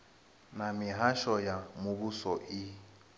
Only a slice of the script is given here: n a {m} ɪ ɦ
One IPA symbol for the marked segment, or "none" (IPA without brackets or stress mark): m